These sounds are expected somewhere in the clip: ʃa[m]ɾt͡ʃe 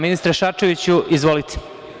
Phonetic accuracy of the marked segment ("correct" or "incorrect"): incorrect